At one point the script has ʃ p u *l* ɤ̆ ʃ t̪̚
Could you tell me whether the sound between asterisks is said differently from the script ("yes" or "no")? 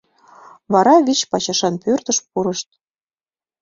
yes